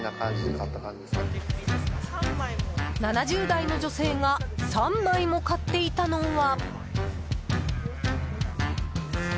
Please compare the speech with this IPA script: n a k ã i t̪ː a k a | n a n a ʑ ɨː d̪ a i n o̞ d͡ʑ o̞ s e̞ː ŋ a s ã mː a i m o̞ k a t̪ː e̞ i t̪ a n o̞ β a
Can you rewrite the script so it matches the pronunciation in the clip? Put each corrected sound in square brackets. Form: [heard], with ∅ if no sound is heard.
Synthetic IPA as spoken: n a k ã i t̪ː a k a | n a n a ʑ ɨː d̪ a i n o̞ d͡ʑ o̞ s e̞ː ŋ a s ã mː a i m o̞ k a t̪ː e̞ i t̪ a n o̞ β a